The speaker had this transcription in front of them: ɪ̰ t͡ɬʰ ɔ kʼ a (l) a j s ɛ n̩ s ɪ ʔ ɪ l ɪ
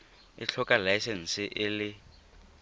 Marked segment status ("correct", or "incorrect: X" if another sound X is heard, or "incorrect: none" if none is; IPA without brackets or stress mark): correct